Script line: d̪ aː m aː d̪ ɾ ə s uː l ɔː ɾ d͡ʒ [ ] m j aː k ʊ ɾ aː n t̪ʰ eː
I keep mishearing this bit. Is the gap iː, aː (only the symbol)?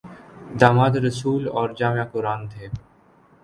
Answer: aː